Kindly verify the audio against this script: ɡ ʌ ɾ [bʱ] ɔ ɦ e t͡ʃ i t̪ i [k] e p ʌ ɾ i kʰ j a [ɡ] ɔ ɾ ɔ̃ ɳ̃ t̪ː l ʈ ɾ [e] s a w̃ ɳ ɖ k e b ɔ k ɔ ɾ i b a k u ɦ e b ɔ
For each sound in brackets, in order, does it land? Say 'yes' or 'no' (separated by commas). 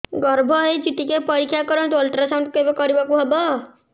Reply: yes, yes, no, no